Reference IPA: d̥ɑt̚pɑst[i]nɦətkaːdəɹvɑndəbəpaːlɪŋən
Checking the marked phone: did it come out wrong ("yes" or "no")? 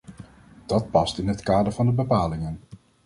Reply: yes